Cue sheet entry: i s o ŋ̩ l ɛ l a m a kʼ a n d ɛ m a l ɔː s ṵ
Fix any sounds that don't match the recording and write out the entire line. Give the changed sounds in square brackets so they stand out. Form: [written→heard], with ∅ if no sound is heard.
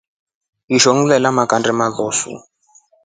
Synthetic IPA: i [s→ʃ] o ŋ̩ l ɛ l a m a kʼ a n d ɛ m a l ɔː s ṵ